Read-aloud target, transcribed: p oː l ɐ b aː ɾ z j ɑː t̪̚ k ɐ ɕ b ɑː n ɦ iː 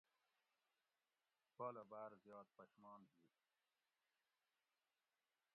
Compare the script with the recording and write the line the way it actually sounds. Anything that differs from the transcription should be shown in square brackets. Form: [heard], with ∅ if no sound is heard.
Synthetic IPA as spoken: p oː l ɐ b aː ɾ z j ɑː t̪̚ [p] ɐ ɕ [m] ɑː n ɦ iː